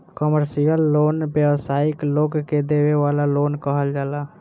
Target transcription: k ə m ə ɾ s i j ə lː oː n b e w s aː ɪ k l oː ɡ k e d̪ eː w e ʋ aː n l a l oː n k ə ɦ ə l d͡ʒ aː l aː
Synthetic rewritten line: k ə m ə ɾ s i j ə lː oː n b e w s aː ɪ k l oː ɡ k e d̪ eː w e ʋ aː l a l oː n k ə ɦ ə l d͡ʒ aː l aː